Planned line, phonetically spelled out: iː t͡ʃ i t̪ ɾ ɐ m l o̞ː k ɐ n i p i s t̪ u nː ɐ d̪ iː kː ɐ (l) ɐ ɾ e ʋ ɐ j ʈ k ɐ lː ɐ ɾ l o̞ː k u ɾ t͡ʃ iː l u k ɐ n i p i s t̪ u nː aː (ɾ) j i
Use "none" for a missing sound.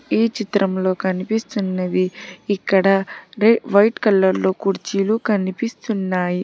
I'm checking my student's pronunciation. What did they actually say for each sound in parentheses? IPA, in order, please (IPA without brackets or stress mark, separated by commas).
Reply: ɽ, none